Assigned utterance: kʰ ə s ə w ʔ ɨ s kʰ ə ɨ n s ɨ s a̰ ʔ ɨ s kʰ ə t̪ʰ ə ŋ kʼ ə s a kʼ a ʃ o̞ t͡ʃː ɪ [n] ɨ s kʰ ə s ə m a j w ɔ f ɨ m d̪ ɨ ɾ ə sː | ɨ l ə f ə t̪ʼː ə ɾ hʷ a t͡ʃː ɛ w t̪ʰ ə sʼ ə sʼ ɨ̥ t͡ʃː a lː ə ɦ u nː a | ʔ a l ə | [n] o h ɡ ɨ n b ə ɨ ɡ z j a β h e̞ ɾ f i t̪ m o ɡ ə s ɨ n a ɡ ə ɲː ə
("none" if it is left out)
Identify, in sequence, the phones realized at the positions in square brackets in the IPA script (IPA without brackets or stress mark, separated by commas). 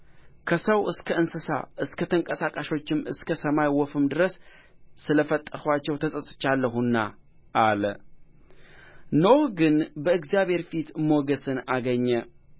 m, n